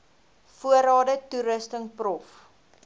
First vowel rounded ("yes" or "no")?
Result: yes